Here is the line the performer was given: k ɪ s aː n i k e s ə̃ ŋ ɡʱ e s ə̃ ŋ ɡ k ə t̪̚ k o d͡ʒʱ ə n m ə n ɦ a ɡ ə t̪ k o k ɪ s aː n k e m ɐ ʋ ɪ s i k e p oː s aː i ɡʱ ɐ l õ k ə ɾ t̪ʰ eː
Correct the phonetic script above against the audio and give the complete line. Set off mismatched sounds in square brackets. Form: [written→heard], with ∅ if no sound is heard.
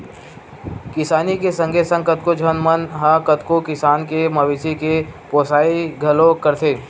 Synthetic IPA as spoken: k ɪ s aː n i k e s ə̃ ŋ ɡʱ e s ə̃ ŋ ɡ k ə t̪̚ k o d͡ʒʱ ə n m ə n ɦ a [ɡ→k] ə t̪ k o k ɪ s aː n k e m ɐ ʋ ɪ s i k e p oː s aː i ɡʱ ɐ l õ k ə ɾ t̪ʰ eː